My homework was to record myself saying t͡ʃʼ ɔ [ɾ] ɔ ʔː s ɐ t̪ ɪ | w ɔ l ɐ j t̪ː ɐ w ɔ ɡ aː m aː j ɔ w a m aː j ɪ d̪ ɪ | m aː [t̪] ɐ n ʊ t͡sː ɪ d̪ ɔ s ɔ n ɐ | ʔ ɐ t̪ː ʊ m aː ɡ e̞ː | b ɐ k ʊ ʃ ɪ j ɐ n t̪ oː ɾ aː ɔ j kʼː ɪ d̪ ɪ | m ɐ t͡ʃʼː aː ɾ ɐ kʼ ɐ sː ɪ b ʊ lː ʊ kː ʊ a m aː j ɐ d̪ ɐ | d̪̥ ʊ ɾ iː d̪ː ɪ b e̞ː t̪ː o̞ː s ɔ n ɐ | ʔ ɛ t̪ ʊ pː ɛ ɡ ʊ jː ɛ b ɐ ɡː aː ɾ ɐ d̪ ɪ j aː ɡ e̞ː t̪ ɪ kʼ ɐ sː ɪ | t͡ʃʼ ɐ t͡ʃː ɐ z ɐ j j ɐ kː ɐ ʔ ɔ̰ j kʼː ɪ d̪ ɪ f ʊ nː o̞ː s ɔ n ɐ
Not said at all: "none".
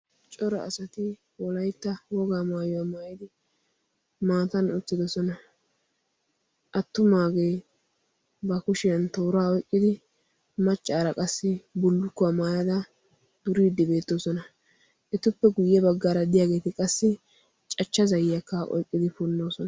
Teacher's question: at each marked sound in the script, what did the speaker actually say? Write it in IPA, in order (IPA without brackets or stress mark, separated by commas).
ɾ, t̪